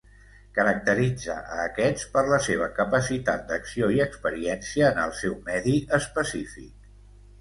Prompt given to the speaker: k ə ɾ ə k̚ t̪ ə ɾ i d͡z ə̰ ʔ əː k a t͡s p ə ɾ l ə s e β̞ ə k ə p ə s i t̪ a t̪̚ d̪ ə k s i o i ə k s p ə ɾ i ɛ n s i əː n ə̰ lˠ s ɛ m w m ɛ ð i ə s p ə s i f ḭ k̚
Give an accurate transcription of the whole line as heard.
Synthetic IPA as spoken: k ə ɾ ə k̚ t̪ ə ɾ i d͡z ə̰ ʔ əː k ɛ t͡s p ə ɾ l ə s e β̞ ə k ə p ə s i t̪ a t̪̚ d̪ ə k s i o i ə k s p ə ɾ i ɛ n s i əː n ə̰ lˠ s ɛ w m ɛ ð i ə s p ə s i f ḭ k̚